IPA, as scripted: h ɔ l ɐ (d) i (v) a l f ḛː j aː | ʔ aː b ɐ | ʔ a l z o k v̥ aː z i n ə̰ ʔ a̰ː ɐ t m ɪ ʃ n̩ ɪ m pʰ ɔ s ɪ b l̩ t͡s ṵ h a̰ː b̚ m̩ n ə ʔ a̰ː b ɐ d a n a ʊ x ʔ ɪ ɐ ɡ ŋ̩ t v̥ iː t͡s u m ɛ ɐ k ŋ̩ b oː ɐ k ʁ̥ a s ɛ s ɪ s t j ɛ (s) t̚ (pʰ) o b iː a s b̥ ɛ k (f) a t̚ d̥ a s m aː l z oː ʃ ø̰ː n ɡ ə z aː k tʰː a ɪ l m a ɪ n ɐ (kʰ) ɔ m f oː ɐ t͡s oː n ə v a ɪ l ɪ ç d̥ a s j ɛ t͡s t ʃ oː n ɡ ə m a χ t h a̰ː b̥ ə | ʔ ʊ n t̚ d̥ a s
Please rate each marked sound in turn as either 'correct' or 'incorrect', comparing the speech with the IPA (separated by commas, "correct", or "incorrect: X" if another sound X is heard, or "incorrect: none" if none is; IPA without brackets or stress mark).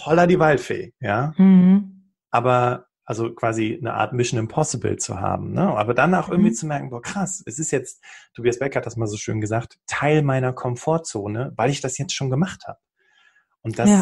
correct, correct, incorrect: t͡s, incorrect: tʰ, incorrect: h, correct